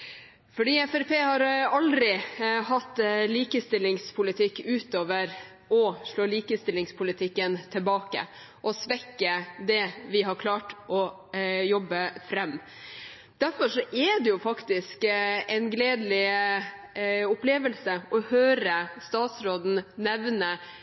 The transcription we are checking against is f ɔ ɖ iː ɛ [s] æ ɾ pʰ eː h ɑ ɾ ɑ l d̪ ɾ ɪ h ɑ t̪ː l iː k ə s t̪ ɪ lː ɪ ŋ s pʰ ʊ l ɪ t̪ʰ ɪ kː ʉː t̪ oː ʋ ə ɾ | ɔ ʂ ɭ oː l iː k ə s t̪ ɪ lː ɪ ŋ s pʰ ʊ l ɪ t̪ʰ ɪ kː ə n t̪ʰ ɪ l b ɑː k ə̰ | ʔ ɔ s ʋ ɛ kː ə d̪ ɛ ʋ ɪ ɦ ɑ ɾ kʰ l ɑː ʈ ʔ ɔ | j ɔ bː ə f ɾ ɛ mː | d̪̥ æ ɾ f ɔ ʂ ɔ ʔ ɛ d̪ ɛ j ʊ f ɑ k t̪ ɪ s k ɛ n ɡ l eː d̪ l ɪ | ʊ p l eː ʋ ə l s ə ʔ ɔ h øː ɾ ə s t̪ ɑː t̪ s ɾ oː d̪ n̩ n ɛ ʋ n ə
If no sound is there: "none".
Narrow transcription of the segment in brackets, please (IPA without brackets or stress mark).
f